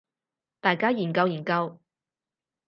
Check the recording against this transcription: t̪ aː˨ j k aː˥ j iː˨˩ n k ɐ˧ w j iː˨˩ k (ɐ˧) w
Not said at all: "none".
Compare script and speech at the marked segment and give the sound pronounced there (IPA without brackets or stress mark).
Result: ɐ˧